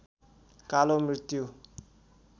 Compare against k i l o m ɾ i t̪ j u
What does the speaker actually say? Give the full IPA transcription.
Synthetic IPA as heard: k a l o m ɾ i t̪ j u